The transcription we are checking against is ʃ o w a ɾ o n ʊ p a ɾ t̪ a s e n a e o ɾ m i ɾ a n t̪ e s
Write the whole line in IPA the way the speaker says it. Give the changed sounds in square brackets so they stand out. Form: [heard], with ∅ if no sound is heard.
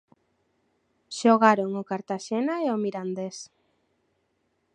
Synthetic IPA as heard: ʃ o [ɣ] a ɾ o [ŋ] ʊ [k] a ɾ t̪ a [ʃ] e n a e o [∅] m i ɾ a n [d̪] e s